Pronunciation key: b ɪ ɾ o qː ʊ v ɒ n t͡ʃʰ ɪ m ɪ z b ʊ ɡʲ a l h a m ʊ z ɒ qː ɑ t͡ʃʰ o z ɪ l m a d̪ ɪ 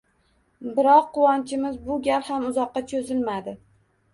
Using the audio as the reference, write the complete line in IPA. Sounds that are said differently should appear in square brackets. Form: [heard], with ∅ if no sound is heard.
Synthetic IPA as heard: b ɪ ɾ [ɒ] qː ʊ [w] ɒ n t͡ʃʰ ɪ m ɪ z b ʊ ɡʲ a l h a m ʊ z ɒ qː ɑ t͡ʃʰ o z ɪ l m a d̪ ɪ